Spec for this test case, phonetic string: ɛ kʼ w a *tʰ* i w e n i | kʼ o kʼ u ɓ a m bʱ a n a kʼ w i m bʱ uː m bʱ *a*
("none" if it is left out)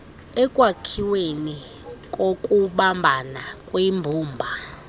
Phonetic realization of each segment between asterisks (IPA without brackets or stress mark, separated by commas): kʰ, a